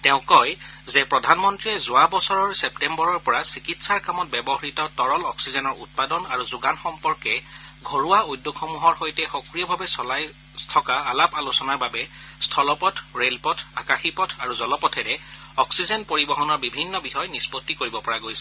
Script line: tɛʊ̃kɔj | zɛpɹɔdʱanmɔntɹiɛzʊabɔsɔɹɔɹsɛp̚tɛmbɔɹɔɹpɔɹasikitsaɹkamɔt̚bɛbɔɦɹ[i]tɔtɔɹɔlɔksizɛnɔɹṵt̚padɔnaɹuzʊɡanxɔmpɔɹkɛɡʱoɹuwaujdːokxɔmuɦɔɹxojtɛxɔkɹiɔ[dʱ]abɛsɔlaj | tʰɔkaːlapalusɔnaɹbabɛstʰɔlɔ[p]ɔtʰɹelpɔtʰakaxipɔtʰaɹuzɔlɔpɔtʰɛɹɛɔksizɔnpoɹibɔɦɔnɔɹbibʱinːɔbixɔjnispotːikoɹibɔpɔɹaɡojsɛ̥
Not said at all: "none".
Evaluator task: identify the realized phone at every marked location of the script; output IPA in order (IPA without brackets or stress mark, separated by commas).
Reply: i, bʱ, p